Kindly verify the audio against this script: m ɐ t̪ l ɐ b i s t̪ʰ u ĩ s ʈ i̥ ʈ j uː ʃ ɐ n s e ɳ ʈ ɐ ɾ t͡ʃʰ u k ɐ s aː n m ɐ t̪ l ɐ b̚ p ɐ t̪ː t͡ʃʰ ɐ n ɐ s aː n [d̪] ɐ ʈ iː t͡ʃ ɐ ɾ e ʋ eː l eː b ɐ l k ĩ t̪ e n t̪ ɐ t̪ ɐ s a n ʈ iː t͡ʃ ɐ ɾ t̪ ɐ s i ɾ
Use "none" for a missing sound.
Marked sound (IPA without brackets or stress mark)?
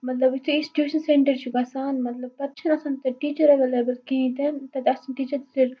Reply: t̪